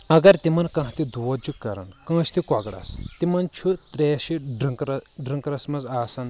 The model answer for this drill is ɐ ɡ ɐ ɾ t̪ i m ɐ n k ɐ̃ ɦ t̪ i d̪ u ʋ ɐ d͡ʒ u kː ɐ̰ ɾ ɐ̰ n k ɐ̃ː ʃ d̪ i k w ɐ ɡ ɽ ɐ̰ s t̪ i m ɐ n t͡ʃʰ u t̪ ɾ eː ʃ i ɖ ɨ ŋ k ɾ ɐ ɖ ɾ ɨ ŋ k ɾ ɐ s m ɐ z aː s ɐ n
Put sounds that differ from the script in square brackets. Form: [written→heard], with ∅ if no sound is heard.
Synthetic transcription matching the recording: ɐ ɡ ɐ ɾ t̪ i m ɐ n k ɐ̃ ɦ t̪ i d̪ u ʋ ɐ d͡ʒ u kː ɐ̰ ɾ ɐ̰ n k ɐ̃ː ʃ [d̪→t̪] i k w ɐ ɡ ɽ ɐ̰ s t̪ i m ɐ n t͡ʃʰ u t̪ ɾ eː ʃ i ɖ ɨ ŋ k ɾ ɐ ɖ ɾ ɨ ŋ k ɾ ɐ s m ɐ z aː s ɐ n